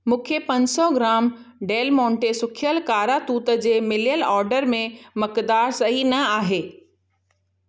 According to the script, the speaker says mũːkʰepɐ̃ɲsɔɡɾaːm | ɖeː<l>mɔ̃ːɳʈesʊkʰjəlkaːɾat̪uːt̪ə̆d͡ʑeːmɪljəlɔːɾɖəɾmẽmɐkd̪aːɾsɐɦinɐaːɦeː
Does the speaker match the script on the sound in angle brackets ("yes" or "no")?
yes